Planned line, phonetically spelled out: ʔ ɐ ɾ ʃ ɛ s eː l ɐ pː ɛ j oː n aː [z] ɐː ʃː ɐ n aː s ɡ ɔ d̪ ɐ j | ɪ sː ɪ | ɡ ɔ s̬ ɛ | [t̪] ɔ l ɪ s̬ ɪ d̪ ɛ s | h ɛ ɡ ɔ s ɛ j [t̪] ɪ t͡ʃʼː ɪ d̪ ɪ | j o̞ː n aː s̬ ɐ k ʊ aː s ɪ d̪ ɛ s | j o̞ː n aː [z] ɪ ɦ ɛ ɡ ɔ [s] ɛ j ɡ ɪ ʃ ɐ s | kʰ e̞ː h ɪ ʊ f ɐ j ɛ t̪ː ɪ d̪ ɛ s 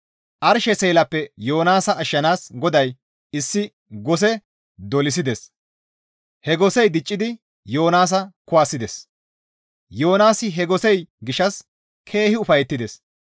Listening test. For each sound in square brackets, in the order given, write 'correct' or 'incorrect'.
incorrect, incorrect, incorrect, incorrect, correct

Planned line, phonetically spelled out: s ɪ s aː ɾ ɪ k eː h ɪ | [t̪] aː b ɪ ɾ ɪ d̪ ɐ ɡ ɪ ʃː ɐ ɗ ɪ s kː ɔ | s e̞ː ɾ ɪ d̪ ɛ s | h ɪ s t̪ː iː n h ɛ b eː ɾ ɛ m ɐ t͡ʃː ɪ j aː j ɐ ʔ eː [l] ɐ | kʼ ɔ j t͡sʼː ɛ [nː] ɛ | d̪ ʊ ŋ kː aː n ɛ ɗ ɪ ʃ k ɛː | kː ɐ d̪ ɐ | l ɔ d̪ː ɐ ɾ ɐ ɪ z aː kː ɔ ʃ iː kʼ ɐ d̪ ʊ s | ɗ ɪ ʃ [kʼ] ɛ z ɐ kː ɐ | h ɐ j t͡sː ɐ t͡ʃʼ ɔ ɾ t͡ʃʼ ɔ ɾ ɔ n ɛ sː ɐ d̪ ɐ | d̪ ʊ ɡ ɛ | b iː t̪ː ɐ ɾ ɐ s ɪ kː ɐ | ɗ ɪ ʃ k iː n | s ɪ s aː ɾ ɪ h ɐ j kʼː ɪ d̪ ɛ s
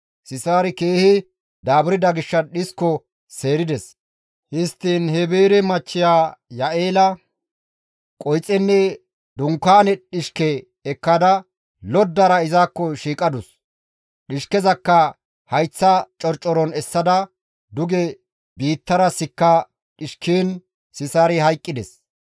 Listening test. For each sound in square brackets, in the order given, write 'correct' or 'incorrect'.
incorrect, correct, correct, incorrect

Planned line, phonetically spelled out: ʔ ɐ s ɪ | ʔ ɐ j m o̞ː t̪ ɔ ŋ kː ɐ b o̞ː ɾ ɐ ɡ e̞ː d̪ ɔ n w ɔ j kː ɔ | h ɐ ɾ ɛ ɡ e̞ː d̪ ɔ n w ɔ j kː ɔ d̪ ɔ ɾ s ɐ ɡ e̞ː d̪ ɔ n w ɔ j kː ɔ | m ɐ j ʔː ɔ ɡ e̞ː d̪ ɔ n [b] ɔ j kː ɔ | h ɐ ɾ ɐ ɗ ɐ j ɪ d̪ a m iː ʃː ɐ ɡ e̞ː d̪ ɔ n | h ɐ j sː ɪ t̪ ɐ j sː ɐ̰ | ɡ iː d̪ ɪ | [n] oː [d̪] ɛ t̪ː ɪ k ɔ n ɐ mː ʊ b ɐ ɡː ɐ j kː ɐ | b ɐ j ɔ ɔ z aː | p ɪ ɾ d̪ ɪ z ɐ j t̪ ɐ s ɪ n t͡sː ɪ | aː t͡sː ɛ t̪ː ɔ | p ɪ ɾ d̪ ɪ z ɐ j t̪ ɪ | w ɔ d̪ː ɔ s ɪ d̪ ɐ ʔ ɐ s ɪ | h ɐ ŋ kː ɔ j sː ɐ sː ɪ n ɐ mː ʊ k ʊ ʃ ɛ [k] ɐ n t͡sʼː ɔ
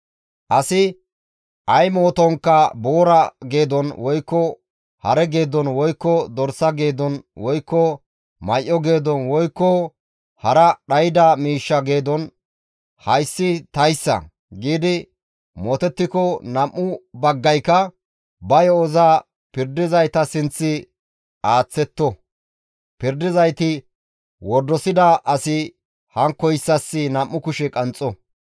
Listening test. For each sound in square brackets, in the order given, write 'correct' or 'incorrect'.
incorrect, incorrect, incorrect, incorrect

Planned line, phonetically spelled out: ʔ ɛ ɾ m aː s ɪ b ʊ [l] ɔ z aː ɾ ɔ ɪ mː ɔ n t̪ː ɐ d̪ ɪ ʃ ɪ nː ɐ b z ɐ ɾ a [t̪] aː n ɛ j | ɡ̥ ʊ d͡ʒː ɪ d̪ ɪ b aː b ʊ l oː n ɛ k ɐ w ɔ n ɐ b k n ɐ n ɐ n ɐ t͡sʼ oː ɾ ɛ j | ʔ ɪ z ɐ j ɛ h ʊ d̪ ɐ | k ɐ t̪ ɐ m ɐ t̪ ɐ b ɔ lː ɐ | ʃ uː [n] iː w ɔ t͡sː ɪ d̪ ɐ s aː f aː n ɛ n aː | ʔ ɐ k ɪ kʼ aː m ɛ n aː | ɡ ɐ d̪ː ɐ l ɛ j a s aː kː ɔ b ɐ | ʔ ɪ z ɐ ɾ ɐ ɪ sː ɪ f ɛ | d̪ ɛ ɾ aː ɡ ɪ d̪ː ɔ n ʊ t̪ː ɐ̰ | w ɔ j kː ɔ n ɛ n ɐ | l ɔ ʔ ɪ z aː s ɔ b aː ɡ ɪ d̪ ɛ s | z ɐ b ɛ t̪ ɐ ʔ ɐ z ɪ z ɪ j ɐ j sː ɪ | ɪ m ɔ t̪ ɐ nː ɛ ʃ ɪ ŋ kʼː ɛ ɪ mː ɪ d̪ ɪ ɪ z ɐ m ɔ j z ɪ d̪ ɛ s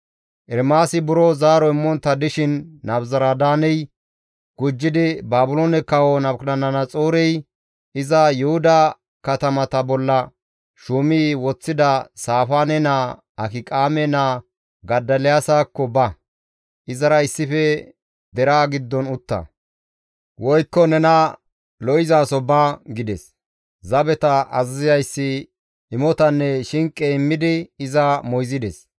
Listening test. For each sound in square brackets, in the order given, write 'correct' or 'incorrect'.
incorrect, incorrect, incorrect

